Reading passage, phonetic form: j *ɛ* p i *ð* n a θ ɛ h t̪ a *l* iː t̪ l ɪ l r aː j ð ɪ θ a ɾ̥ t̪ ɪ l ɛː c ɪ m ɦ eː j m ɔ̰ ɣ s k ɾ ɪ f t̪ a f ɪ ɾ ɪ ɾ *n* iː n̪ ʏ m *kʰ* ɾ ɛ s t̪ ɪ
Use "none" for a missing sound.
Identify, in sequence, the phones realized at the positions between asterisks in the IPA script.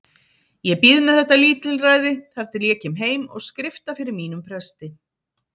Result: ɛ, ð, l, m, pʰ

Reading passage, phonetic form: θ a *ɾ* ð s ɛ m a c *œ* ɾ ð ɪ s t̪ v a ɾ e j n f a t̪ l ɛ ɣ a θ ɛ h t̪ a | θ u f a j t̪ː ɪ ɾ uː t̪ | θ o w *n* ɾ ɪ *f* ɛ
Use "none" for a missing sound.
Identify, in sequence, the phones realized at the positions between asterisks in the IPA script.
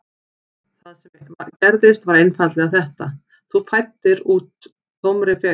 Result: none, ɛ, m, f

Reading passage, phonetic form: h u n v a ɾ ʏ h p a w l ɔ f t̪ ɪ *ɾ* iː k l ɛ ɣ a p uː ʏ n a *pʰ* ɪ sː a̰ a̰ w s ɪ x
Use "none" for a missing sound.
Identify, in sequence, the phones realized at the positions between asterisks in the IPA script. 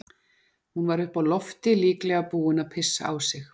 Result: l, pʰ

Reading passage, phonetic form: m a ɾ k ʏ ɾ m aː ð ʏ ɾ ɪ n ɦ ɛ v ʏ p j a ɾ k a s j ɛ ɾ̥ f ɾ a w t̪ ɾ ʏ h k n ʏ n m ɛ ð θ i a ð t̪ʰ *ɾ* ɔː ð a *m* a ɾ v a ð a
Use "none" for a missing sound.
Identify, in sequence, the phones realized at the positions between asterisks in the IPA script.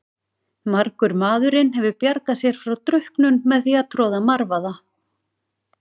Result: ɾ, m

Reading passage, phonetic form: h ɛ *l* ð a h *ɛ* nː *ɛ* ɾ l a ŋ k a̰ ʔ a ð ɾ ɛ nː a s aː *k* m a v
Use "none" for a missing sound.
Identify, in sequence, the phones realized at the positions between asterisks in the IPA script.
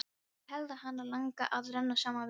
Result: l, a, a, none

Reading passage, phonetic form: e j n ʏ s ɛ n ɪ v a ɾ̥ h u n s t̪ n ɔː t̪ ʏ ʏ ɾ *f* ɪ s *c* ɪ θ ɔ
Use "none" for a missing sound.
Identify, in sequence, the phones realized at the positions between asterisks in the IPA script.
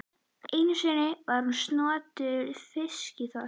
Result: f, c

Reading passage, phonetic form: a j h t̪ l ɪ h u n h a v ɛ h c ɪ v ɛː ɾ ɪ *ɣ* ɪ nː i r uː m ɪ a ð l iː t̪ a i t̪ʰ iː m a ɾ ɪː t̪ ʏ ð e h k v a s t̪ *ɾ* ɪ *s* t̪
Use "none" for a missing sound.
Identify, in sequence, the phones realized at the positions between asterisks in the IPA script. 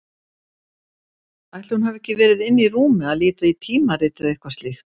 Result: ð, l, x

